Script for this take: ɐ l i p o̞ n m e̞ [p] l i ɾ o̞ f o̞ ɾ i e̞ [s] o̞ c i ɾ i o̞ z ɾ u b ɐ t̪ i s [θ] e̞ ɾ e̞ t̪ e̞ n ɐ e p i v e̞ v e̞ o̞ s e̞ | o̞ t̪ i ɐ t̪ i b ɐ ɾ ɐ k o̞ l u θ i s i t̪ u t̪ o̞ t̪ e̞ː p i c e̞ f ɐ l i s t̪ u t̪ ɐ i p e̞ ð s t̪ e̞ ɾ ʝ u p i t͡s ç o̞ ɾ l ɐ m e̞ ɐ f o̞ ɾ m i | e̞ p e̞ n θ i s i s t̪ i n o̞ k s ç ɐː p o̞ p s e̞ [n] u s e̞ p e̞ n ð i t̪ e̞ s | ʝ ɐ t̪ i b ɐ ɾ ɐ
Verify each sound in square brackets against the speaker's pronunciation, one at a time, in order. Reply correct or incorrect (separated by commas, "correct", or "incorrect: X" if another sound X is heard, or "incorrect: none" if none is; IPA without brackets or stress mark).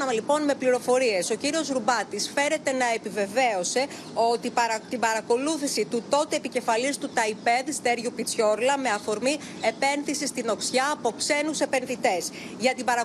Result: correct, correct, incorrect: f, correct